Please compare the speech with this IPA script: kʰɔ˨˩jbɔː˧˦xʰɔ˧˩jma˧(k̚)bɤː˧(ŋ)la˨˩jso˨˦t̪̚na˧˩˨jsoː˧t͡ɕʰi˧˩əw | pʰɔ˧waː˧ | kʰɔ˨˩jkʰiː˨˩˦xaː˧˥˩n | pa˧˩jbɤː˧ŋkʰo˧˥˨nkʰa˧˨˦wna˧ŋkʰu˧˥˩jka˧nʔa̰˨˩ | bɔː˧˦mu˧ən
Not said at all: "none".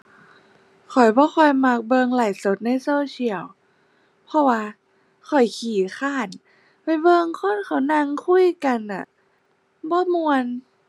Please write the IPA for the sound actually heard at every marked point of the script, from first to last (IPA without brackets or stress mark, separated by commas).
k̚, ŋ